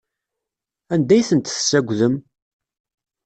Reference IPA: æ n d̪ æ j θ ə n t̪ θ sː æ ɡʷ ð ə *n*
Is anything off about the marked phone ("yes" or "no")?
yes